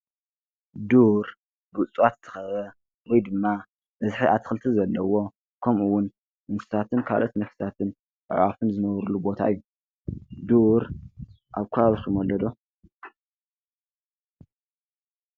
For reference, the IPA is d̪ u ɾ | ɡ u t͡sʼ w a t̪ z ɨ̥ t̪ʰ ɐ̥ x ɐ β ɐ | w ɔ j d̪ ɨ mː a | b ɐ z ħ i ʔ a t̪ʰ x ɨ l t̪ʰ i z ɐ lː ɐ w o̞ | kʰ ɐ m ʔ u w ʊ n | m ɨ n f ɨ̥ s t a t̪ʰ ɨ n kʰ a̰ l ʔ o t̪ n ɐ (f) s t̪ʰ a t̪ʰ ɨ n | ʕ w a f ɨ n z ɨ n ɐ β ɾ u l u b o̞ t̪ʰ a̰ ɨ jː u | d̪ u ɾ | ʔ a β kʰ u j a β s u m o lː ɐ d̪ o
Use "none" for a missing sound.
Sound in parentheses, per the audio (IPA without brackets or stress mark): f